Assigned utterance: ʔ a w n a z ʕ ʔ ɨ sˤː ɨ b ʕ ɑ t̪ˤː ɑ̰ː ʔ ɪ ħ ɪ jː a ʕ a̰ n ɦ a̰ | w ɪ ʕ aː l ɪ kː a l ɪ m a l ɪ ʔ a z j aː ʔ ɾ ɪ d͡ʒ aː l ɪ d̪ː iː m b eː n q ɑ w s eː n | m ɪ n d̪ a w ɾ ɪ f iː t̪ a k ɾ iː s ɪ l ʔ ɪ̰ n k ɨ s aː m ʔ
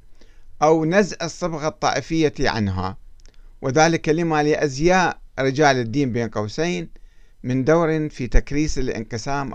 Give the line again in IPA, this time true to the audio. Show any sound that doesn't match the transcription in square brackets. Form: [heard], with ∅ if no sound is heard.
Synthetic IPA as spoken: ʔ a w n a z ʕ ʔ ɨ sˤː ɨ b [ɣ] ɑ t̪ˤː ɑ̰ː ʔ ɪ [f] ɪ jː a ʕ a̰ n ɦ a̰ | w ɪ [ð] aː l ɪ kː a l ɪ m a l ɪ ʔ a z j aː ʔ ɾ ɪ d͡ʒ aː l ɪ d̪ː iː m b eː n q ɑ w s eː n | m ɪ n d̪ a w ɾ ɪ f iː t̪ a k ɾ iː s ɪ l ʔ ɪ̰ n [q] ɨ s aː m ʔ